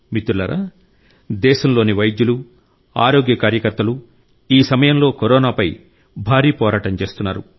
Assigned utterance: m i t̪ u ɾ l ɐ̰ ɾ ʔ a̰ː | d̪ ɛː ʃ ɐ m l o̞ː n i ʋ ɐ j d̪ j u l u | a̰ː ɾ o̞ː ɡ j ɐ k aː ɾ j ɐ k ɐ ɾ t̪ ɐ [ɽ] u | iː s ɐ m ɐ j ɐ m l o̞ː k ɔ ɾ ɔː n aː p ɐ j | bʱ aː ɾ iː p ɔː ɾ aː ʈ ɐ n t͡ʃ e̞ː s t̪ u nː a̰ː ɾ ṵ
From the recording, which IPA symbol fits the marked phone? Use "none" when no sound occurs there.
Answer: l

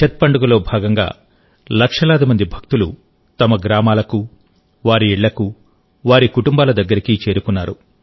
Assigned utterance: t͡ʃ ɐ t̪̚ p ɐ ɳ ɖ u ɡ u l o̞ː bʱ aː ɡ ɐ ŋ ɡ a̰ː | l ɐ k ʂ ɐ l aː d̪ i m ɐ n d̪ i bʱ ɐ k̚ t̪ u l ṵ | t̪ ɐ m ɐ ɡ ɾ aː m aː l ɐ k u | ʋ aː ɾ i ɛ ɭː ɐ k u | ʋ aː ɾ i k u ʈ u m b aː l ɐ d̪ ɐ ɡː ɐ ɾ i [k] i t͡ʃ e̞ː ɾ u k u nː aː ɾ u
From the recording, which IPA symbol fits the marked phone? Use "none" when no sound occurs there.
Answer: k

